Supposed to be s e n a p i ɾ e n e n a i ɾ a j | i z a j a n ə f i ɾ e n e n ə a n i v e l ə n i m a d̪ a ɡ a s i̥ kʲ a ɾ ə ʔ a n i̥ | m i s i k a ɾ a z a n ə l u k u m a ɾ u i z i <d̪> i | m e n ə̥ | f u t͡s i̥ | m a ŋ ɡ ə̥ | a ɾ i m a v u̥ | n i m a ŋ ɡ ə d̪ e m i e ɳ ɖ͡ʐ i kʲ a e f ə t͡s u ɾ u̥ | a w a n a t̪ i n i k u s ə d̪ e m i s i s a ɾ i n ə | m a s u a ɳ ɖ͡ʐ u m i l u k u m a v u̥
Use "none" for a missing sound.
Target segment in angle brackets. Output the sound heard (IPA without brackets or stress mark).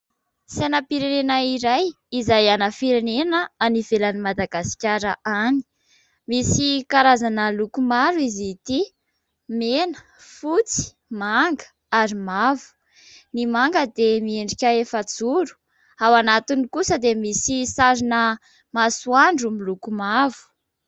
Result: t̪